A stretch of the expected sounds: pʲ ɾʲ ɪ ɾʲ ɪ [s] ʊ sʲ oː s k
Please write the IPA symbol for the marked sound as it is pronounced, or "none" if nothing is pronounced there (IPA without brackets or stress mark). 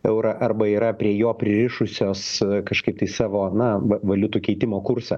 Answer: ʃ